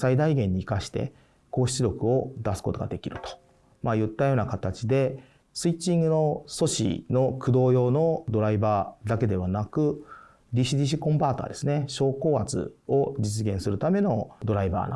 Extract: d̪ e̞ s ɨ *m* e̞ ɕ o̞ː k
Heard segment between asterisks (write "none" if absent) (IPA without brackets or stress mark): n